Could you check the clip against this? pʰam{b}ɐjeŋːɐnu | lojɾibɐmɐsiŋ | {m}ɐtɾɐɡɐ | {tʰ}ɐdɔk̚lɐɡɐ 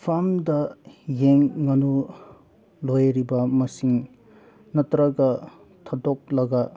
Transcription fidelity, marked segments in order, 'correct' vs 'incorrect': incorrect: d, incorrect: n, correct

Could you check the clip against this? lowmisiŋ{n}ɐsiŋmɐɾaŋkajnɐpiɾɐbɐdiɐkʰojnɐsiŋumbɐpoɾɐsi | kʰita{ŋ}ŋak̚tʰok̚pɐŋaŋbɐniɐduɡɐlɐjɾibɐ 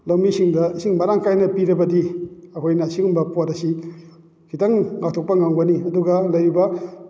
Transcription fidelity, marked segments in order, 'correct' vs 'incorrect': incorrect: d, correct

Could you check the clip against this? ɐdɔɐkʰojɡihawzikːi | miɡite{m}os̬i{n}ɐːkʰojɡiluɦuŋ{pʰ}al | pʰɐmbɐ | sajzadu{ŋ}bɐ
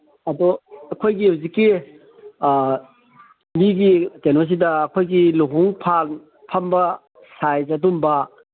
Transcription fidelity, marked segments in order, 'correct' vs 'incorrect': incorrect: n, incorrect: d, correct, incorrect: m

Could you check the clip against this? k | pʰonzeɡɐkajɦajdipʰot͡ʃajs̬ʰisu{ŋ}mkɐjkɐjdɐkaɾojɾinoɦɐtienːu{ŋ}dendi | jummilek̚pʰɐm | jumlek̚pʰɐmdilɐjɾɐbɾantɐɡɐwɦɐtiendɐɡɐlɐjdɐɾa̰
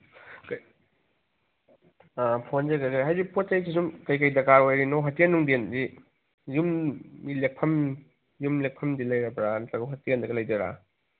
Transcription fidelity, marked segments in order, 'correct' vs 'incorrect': incorrect: none, correct

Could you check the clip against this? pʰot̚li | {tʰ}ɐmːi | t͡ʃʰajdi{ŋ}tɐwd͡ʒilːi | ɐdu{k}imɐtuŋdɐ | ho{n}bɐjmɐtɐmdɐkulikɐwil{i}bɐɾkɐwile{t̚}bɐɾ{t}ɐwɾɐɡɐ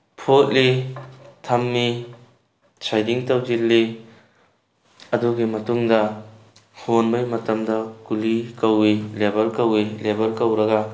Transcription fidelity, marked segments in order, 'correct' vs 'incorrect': correct, correct, incorrect: ɡ, correct, incorrect: e, incorrect: none, incorrect: k

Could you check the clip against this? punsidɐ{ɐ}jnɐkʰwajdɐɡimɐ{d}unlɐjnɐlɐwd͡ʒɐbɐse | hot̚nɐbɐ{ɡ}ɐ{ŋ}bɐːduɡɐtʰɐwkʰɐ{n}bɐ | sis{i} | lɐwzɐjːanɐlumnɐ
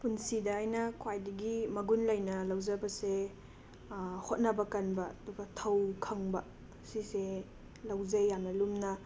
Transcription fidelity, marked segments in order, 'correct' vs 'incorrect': incorrect: a, incorrect: ɡ, incorrect: k, incorrect: n, incorrect: ŋ, incorrect: e

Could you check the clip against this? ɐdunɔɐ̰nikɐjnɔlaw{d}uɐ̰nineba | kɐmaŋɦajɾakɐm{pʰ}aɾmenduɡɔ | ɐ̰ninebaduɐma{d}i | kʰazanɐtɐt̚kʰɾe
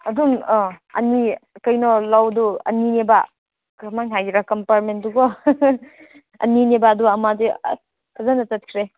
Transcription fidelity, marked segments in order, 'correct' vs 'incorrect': correct, incorrect: p, correct

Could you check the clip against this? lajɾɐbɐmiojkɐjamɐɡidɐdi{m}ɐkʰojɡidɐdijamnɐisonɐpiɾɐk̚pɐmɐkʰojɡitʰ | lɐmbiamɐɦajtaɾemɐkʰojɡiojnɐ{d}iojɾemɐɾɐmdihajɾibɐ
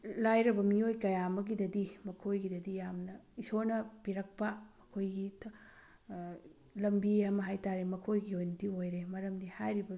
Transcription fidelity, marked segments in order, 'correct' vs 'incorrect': correct, correct

